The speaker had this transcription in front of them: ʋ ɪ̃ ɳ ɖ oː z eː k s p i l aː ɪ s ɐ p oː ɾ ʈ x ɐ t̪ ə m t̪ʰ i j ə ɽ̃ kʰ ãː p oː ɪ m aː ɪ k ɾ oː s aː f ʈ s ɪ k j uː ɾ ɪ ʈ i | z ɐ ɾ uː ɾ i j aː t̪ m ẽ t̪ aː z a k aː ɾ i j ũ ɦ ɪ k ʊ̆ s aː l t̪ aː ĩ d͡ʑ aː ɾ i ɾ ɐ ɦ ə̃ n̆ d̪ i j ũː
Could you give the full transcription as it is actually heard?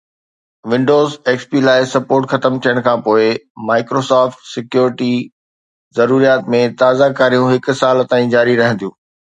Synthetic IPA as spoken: ʋ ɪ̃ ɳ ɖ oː z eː k s p i l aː ɪ s ɐ p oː ɾ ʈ x ɐ t̪ ə m t̪ʰ i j ə ɽ̃ kʰ ãː p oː ɪ m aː ɪ k ɾ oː s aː f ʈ s ɪ k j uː ɾ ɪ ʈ i | z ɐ ɾ uː ɾ i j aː t̪ m ẽ t̪ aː z a k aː ɾ i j ũ ɦ ɪ k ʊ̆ s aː l t̪ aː ĩ d͡ʑ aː ɾ i ɾ ɐ ɦ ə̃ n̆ d̪ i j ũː